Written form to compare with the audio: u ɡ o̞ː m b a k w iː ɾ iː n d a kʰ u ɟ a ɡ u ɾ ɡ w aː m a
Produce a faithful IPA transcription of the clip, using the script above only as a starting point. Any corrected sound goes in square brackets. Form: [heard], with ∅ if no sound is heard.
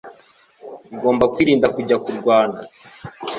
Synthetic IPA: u ɡ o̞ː m b a k w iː ɾ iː n d a [k] u ɟ a [k] u ɾ ɡ w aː [n] a